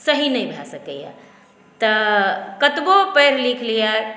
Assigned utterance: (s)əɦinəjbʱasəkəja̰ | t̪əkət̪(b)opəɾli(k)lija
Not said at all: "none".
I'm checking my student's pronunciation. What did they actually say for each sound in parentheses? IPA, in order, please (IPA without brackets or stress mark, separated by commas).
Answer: s, b, kʰ